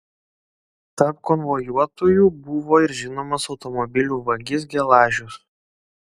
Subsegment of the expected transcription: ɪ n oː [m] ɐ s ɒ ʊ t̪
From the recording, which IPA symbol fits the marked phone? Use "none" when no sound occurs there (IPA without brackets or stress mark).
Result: m